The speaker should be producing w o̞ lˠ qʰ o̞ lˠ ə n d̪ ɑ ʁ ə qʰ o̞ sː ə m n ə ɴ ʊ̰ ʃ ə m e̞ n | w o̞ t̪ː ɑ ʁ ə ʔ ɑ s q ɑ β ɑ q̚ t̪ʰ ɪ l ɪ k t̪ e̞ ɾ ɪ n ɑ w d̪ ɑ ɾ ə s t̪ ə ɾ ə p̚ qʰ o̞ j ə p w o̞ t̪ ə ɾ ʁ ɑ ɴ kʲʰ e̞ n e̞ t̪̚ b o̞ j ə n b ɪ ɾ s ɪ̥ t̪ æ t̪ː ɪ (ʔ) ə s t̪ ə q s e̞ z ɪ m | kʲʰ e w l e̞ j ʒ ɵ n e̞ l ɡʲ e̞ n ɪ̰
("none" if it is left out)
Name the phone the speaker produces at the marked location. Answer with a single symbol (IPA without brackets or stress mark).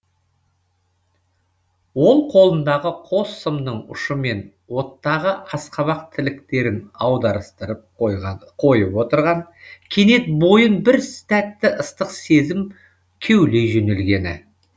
ʔ